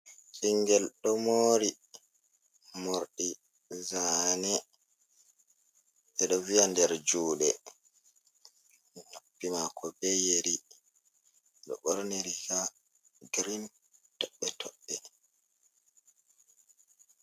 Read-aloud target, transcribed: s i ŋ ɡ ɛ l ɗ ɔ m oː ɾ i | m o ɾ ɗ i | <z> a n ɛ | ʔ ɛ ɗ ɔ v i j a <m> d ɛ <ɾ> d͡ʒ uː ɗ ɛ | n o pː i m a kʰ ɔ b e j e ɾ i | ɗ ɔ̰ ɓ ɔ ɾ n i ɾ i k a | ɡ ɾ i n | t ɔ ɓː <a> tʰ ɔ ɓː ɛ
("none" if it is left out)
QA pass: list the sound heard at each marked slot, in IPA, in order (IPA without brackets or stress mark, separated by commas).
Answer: z, n, ɾ, ɛ